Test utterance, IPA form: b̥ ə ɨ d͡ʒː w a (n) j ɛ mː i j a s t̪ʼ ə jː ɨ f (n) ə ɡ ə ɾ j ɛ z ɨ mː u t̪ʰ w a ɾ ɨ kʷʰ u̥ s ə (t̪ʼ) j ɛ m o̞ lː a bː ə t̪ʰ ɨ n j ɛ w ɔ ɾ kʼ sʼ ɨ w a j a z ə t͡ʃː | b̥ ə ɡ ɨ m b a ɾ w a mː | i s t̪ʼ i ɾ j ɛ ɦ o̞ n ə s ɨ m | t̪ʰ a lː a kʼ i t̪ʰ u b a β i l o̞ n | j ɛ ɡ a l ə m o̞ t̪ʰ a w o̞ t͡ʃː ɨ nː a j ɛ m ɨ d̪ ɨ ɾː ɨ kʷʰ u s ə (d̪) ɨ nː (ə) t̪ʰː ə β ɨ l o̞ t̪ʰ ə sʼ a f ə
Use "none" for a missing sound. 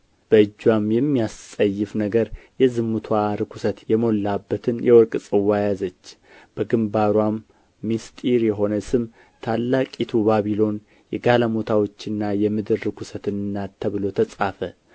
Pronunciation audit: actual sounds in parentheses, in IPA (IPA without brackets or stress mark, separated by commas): m, n, t̪, t̪, a